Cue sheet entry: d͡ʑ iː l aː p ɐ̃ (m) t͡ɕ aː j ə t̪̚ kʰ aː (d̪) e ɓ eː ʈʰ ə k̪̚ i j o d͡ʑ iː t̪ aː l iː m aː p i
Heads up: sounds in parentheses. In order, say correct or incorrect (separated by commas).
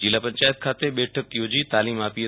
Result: incorrect, incorrect